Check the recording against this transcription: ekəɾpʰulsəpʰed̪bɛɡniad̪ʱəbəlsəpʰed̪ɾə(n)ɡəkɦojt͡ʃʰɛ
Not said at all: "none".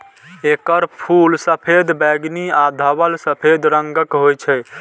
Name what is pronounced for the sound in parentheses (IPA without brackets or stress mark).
ŋ